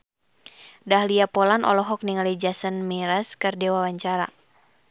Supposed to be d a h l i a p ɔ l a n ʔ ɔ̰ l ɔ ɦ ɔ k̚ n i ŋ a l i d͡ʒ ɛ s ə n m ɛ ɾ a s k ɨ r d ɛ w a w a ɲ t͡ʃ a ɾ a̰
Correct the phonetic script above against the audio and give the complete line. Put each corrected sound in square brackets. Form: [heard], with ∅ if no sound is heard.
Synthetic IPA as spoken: d a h l i a p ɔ l a n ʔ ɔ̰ l ɔ ɦ ɔ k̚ n i ŋ a l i d͡ʒ [a] s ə n m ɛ ɾ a s k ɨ r d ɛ w a w a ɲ t͡ʃ a ɾ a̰